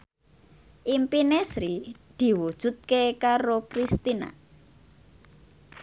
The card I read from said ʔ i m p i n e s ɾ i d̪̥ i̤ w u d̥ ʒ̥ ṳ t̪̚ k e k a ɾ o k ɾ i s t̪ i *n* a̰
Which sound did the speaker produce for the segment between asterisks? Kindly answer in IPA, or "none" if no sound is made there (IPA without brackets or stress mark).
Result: n